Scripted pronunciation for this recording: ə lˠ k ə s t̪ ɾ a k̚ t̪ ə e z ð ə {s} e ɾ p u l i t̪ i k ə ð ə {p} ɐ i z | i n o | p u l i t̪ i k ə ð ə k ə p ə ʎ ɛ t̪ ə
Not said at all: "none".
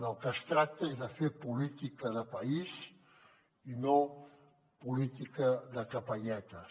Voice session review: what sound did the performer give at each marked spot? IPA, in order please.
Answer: f, p

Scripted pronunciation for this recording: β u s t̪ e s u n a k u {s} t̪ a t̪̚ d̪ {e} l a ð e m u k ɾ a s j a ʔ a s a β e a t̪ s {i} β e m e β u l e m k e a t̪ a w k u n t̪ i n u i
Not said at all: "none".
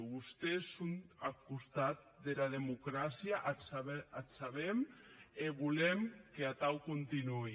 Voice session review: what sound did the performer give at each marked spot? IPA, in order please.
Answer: s, e, a

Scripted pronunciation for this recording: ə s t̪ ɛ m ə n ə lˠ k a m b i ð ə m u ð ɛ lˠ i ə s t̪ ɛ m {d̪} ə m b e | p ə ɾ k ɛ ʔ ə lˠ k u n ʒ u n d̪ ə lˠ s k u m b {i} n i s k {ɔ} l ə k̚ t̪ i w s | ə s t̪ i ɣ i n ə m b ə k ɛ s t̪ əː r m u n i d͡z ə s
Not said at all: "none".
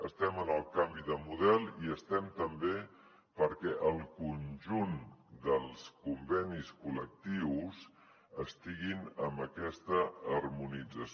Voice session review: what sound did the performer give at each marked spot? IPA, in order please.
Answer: t̪, ɛ, u

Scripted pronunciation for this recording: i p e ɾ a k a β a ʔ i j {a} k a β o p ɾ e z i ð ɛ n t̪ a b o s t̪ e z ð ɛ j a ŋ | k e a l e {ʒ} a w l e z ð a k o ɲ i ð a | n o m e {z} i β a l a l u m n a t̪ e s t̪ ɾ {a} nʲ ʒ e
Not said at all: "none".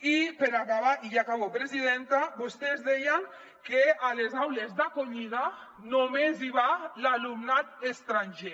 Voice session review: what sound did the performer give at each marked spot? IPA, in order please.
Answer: a, z, z, a

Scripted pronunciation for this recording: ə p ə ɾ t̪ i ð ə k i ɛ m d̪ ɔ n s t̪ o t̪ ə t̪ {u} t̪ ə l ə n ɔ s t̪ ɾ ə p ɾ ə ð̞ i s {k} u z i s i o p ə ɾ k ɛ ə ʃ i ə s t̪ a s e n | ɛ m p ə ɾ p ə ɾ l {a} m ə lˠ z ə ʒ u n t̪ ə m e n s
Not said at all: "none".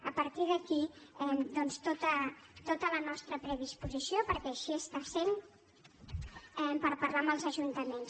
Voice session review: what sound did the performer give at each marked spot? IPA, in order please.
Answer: o, p, a

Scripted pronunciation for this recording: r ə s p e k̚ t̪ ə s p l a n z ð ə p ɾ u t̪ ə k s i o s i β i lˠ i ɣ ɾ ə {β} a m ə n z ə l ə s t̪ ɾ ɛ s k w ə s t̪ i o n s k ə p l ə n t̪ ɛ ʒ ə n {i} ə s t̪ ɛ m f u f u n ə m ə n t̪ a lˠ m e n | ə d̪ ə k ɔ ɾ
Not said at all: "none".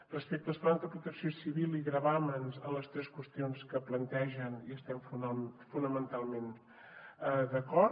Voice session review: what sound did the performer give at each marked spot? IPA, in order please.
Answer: β, i

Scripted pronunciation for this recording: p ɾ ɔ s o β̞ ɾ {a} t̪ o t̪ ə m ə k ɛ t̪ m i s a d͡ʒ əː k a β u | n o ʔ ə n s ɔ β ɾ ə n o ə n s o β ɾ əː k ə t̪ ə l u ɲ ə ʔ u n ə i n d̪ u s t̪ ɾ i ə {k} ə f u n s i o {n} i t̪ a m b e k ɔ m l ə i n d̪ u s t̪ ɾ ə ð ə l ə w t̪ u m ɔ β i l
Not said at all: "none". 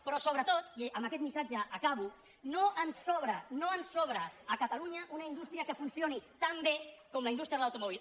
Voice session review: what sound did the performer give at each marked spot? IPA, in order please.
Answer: ə, k, n

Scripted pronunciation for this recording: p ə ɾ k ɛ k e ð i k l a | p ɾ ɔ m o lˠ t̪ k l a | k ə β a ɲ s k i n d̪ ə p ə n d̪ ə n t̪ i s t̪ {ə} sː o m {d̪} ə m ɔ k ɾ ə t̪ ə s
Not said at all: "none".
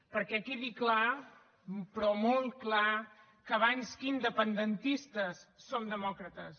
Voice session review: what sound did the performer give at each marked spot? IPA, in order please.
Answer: ə, d̪

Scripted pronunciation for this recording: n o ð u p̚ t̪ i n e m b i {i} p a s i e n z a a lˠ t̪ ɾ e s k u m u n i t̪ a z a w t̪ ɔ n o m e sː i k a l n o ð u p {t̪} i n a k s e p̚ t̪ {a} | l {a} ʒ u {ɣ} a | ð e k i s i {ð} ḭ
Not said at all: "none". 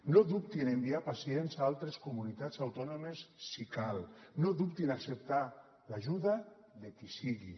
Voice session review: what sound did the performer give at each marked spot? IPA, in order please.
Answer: a, t̪, a, a, ð, ɣ

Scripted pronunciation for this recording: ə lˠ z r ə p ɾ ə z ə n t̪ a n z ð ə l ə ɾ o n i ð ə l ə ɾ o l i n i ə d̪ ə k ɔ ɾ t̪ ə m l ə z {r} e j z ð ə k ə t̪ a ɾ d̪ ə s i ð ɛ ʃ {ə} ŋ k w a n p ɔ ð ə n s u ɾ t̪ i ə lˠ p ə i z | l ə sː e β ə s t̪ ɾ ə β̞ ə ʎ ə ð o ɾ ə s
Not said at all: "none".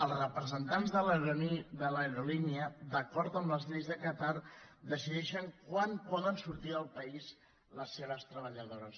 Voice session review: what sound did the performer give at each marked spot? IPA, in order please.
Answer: ʎ, ə

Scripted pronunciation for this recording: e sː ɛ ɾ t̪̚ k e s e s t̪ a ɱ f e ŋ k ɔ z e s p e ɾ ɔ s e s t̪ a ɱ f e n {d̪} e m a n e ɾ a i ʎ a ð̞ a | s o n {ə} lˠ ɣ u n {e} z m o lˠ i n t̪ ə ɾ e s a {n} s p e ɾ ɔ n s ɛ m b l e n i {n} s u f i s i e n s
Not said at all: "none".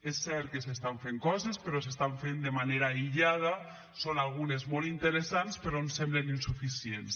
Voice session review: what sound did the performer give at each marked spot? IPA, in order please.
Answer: d̪, a, e, n, n

